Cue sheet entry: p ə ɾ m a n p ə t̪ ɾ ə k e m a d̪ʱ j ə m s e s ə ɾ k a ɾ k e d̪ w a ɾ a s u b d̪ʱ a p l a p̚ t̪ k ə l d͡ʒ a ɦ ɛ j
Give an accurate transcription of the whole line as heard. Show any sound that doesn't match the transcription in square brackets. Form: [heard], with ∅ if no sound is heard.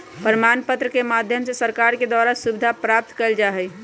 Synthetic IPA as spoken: p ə ɾ m a n p ə t̪ ɾ ə k e m a d̪ʱ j ə m s e s ə ɾ k a ɾ k e d̪ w a ɾ a s u b d̪ʱ a p [ɾ] a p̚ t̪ k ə l d͡ʒ a ɦ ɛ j